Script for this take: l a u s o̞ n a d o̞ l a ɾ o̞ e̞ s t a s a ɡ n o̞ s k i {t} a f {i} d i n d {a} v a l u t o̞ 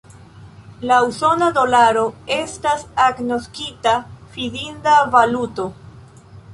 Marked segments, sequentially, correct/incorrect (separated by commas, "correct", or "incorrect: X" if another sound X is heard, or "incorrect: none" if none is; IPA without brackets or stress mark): correct, correct, correct